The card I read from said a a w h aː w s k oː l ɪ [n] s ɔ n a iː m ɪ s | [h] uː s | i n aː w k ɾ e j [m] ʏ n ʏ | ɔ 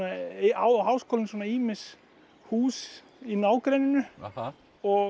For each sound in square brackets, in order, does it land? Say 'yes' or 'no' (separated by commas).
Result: yes, yes, no